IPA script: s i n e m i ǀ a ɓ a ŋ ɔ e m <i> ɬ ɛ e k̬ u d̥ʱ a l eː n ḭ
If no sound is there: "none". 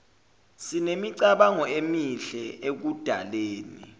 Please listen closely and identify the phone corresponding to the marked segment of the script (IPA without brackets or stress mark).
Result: i